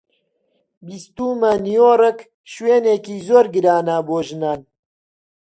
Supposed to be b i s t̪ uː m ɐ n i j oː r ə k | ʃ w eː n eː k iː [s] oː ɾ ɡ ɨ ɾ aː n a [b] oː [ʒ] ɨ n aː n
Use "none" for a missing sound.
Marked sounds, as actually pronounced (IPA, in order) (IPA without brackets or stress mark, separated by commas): z, b, ʒ